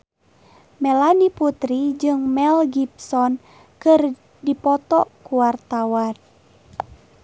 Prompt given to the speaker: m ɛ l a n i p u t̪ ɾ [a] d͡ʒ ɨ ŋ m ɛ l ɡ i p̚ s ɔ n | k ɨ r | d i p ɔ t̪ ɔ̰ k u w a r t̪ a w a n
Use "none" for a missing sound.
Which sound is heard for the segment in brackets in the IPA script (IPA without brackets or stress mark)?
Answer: i